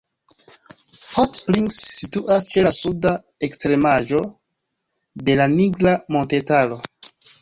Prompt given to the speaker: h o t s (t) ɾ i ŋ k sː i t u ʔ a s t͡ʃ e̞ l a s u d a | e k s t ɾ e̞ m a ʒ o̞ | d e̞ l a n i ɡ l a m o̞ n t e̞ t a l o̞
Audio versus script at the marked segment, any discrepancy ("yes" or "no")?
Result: yes